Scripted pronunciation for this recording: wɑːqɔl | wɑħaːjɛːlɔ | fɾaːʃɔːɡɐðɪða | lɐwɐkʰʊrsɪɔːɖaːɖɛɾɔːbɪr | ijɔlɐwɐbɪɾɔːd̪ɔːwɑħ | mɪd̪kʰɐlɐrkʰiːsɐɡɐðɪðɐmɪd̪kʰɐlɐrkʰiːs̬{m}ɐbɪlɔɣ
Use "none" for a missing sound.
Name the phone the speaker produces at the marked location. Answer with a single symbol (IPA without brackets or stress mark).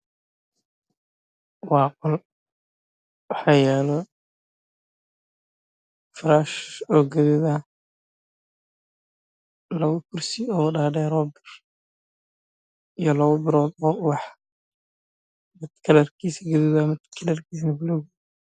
n